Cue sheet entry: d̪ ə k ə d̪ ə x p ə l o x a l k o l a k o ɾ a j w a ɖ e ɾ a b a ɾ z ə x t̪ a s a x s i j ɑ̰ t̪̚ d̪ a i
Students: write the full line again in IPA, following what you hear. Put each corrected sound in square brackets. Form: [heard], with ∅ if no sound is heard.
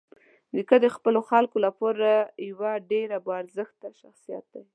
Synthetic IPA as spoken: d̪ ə k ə d̪ ə x p ə l o x a l k o l a [p] o ɾ a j w a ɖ e ɾ a b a ɾ z ə x t̪ a [ʃ] a x s i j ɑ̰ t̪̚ d̪ a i